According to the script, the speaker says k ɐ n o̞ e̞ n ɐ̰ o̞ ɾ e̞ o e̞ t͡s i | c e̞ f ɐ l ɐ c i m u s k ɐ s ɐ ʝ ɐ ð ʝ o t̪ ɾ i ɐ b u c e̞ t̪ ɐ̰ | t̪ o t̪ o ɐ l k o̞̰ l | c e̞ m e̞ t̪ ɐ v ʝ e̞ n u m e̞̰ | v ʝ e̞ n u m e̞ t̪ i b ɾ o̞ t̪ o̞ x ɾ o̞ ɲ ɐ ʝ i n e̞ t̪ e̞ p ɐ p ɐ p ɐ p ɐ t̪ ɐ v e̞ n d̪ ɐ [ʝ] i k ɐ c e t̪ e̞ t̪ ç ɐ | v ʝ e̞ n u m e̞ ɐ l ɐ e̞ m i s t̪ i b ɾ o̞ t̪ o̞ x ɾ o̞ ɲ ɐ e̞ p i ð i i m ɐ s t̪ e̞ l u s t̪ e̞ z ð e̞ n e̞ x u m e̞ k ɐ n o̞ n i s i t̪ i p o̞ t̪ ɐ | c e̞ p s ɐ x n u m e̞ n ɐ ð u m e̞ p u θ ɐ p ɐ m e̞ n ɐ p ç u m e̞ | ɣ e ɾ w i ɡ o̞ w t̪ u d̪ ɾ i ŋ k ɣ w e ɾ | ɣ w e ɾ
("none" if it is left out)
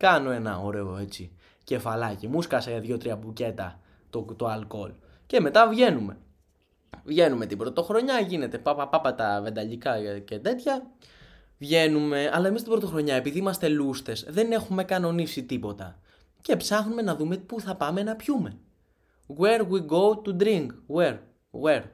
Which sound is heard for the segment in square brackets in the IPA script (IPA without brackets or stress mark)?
ʎ